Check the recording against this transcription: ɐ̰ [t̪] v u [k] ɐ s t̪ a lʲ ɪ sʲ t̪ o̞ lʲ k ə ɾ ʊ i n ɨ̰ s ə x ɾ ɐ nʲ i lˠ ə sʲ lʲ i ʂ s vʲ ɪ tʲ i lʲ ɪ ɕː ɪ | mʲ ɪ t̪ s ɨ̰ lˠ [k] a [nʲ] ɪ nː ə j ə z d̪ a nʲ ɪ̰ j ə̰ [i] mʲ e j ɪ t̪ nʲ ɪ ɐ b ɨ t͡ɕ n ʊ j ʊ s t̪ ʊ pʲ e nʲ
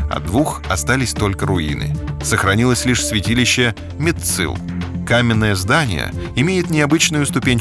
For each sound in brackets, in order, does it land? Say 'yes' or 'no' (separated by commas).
no, no, yes, no, no